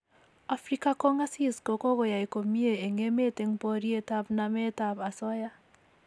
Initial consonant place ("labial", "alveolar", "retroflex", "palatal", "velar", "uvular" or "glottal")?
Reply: labial